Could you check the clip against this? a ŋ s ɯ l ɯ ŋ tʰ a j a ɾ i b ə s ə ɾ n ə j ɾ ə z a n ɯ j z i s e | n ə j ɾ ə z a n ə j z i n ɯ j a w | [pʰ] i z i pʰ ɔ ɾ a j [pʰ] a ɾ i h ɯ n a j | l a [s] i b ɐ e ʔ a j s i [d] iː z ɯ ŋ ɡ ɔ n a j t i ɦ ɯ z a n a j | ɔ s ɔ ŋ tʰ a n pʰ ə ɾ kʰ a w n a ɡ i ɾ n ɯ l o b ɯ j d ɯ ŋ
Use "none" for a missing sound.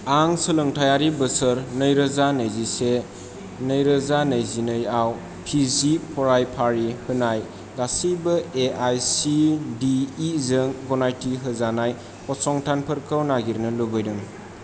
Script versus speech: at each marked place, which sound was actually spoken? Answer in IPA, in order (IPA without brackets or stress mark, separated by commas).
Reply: pʰ, pʰ, s, d